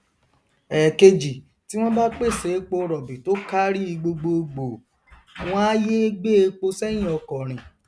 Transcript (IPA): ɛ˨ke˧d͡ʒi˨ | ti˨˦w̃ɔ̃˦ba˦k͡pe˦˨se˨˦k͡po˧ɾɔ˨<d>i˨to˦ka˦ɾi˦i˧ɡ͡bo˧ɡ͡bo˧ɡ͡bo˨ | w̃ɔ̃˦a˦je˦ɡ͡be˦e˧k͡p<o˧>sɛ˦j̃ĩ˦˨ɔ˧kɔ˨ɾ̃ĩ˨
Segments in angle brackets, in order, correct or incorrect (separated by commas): incorrect, correct